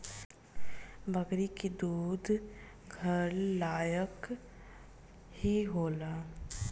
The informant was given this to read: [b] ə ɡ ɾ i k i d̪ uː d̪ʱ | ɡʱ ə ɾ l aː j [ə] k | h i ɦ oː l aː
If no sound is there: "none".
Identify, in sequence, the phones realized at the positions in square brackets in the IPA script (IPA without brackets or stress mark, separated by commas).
b, ə